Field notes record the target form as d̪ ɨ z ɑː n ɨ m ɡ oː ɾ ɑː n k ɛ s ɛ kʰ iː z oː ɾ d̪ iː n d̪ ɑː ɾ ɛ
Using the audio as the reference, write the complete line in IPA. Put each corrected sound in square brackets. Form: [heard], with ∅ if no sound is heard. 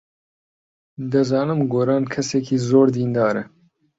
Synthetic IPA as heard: d̪ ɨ z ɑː n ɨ m ɡ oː ɾ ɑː n [kʰ] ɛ s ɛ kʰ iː z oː ɾ d̪ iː n d̪ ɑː ɾ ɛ